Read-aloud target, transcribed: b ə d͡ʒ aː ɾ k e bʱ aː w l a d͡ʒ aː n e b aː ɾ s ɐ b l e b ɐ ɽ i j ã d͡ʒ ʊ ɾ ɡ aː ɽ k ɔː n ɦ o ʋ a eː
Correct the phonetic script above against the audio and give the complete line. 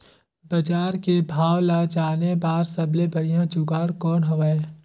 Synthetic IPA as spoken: b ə d͡ʒ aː ɾ k e bʱ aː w l a d͡ʒ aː n e b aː ɾ s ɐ b l e b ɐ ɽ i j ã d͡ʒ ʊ ɡ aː ɽ k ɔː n ɦ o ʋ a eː